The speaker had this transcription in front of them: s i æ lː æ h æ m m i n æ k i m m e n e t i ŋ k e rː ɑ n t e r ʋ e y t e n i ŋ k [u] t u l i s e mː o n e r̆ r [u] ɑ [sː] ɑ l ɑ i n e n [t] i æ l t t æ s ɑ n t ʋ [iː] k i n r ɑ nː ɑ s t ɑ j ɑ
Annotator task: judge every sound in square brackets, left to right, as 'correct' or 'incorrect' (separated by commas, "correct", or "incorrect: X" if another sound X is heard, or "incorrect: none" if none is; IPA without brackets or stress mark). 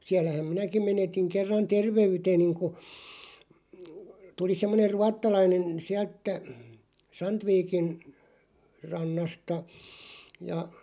correct, correct, incorrect: tː, incorrect: s, correct